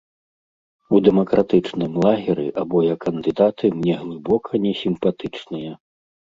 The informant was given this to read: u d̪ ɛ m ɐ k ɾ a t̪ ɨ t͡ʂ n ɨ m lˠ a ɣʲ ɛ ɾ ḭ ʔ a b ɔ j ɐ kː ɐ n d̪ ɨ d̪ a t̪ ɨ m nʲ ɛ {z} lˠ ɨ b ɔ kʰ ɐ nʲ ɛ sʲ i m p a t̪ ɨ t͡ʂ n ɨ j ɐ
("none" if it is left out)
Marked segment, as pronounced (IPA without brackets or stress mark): ɣ